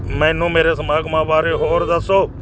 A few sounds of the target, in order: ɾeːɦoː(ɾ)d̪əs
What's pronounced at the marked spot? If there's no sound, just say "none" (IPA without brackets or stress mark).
ɾ